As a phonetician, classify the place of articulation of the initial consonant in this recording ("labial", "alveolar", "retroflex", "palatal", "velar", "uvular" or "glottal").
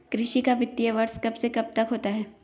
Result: velar